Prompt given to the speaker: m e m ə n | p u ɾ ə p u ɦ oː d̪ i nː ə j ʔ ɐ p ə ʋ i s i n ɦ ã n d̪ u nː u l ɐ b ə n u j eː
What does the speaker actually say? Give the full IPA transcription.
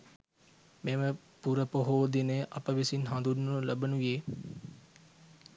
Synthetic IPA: m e m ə | p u ɾ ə p o ɦ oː d̪ i n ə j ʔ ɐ p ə ʋ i s i n ɦ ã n d̪ u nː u l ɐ b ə n u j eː